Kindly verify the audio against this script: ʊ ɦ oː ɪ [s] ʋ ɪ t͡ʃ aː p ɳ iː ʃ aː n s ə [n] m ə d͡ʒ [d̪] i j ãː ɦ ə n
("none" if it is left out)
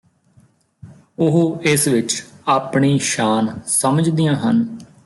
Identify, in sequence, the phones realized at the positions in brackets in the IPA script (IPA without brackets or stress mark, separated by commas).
s, none, d̪